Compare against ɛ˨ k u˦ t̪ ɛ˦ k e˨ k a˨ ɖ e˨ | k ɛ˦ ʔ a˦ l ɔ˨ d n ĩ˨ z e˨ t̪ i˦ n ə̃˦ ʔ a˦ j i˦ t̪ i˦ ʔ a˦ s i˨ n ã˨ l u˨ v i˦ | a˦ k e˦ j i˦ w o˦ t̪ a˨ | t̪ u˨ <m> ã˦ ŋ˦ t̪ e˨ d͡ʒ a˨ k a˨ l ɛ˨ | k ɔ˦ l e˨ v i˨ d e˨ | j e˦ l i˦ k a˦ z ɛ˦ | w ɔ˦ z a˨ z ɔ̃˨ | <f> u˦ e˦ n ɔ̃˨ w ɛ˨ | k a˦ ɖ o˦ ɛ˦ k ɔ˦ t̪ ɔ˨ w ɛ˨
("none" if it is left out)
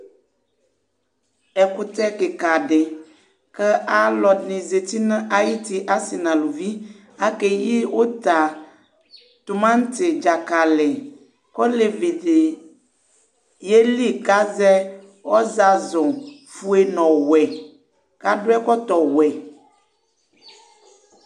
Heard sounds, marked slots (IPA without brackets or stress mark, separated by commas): m, f